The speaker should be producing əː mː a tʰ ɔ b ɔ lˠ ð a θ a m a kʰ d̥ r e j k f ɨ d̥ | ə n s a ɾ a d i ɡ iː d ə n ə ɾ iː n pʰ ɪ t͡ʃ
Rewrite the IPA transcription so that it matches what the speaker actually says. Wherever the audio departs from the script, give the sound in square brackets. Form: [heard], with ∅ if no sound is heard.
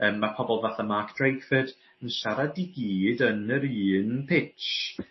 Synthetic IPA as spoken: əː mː a [pʰ] ɔ b ɔ lˠ [v] a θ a m a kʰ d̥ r e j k f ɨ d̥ | ə n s a ɾ a d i ɡ iː d ə n ə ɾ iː n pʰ ɪ t͡ʃ